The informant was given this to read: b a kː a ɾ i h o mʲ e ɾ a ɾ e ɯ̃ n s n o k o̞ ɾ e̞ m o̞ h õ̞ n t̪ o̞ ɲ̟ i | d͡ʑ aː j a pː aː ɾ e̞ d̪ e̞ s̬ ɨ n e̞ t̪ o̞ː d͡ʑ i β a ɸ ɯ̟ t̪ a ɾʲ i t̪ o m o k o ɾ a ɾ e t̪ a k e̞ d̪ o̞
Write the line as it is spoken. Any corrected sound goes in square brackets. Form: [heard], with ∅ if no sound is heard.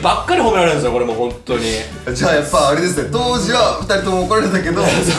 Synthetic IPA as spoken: b a kː a ɾ i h o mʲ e ɾ a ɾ e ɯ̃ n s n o k o̞ ɾ e̞ m o̞ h õ̞ n t̪ o̞ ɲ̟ i | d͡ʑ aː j a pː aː ɾ e̞ d̪ e̞ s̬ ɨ n e̞ t̪ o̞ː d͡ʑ i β a ɸ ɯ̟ t̪ a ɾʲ i t̪ o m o k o ɾ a ɾ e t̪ a k e̞ d̪ o̞